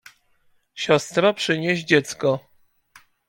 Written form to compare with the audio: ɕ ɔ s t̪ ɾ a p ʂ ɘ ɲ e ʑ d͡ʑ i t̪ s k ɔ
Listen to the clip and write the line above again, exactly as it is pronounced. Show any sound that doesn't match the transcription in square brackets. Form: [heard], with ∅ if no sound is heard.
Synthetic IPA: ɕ ɔ s t̪ ɾ a p ʂ ɘ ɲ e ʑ d͡ʑ [ɛ] t̪ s k ɔ